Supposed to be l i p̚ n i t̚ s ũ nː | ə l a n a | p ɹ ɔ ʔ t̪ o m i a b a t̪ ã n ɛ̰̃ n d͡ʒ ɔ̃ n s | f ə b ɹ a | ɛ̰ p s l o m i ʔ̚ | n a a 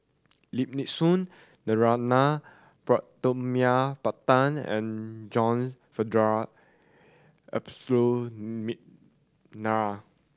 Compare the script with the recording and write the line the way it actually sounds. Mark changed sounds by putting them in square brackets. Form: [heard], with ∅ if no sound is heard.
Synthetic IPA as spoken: l i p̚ n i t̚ s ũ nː | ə [ɹ] a n a | p ɹ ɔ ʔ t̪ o m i a [p] a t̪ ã n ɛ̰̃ n d͡ʒ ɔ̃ n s | f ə [d] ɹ a | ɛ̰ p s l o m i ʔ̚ | n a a